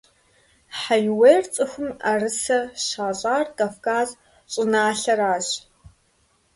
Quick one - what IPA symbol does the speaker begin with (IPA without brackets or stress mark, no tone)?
ħ